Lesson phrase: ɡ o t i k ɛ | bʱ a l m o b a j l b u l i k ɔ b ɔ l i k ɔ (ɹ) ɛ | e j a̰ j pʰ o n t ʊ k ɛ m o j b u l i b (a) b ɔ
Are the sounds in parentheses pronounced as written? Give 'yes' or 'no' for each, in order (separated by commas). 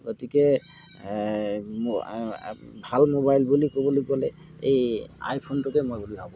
no, yes